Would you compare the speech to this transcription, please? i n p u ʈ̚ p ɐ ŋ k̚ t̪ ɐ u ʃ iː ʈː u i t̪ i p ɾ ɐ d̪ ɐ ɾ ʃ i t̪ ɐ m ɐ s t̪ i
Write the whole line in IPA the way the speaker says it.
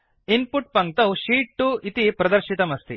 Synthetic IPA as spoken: i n p u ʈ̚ p ɐ ŋ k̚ t̪ ɐ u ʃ iː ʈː u i t̪ i p ɾ ɐ d̪ ɐ ɾ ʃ i t̪ ɐ m ɐ s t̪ i